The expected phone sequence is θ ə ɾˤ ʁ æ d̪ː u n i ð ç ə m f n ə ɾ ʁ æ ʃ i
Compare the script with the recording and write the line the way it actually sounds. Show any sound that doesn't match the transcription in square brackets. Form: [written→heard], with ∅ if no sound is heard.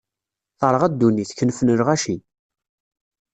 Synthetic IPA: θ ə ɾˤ ʁ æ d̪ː u n i [ð→θ] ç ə [m→n] f n ə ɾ ʁ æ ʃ i